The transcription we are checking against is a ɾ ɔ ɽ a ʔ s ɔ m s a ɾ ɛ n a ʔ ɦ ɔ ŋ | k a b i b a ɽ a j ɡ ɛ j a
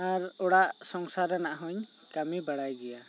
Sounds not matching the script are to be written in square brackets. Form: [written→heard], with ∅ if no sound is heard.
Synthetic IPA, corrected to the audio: a ɾ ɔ ɽ a ʔ s ɔ [m→ŋ] s a ɾ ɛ n a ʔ ɦ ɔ [ŋ→ɲ] | k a [b→m] i b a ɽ a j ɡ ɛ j a